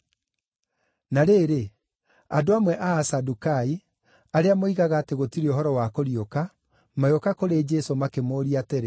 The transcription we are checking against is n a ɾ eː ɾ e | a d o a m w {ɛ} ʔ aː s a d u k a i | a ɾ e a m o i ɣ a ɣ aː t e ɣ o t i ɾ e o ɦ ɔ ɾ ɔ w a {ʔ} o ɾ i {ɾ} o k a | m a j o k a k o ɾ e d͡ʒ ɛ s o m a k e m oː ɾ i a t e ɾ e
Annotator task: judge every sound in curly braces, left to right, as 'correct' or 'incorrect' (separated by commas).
correct, incorrect, incorrect